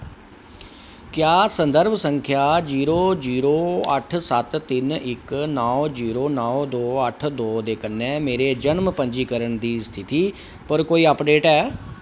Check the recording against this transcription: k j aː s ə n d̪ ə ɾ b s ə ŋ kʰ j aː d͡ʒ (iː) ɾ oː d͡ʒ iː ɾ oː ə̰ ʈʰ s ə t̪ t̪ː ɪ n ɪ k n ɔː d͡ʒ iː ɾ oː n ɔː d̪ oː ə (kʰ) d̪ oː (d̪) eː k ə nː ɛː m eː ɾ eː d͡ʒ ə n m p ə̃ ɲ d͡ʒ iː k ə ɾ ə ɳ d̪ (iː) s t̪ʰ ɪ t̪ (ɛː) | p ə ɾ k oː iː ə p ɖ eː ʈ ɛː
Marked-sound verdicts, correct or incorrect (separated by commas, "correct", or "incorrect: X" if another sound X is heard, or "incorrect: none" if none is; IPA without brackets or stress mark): correct, incorrect: ʈʰ, correct, correct, incorrect: iː